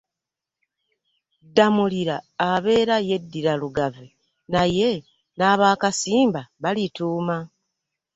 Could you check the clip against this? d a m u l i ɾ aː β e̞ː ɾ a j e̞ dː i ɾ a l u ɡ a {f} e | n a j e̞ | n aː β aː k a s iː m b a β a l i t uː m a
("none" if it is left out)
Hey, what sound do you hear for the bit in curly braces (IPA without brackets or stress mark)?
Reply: v